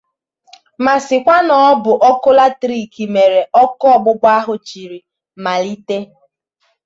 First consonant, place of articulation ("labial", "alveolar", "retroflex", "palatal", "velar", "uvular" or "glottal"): labial